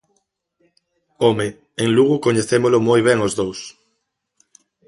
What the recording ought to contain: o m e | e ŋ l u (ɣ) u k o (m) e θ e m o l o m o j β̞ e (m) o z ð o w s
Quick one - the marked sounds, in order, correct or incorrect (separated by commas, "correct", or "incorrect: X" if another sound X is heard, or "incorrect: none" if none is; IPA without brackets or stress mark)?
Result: correct, incorrect: ɲ, incorrect: ŋ